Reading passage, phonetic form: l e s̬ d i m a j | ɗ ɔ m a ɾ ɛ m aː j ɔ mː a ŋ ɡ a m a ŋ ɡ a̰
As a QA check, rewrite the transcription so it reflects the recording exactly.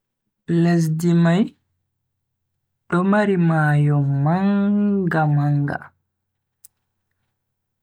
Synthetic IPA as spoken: l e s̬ d i m a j | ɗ ɔ m a ɾ i m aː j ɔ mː a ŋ ɡ a m a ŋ ɡ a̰